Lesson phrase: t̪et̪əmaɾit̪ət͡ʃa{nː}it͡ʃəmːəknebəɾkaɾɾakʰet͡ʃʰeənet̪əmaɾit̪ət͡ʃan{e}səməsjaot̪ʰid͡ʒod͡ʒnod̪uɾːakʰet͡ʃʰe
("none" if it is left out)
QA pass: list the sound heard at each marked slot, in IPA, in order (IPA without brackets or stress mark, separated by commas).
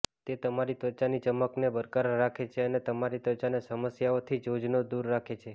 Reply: n, e